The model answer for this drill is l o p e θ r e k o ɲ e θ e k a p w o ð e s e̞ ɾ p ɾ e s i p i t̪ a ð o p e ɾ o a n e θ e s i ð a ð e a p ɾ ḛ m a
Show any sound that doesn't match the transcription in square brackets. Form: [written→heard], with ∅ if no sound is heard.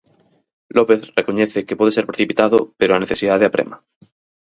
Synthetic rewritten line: l o p e θ r e k o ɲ e θ e k [a→e] p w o ð e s e̞ ɾ p ɾ e [s→θ] i p i t̪ a ð o p e ɾ o a n e θ e s i ð a ð e a p ɾ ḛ m a